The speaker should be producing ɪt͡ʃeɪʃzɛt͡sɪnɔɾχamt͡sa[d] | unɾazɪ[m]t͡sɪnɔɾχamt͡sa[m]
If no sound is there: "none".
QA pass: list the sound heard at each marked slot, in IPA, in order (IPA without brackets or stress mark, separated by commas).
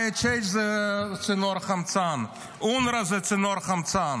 n, none, n